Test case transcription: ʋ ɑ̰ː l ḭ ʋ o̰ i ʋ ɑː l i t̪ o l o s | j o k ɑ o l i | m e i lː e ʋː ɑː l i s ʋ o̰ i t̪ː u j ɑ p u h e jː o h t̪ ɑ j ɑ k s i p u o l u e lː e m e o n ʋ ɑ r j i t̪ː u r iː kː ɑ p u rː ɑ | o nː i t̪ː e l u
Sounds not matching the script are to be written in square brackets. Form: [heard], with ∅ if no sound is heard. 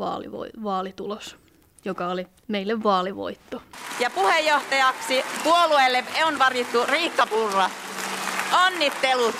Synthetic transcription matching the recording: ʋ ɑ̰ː l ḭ ʋ o̰ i ʋ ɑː l i t̪ [u] l o s | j o k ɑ o l i | m e i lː e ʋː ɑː l i [∅] ʋ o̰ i t̪ː [o] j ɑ p u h e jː o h t̪ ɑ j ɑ k s i p u o l u e lː e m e o n ʋ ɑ r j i t̪ː u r iː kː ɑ p u rː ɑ | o nː i t̪ː e l u